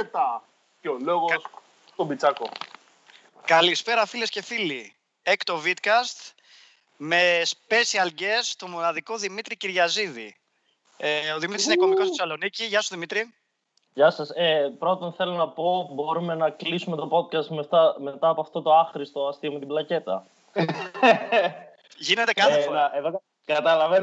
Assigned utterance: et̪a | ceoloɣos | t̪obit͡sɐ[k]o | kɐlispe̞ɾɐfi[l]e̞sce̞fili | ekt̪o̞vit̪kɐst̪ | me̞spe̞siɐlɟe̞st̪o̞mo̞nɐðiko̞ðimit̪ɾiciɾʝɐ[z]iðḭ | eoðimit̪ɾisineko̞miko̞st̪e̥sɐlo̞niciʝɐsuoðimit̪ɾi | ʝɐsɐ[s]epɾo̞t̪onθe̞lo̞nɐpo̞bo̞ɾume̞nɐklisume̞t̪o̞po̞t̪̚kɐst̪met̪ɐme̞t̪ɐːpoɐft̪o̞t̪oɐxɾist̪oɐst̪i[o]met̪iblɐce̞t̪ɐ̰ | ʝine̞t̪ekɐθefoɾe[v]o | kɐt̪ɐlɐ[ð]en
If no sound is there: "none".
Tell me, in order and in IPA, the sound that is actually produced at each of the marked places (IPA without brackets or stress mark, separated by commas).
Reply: k, l, z, s, o, ð, v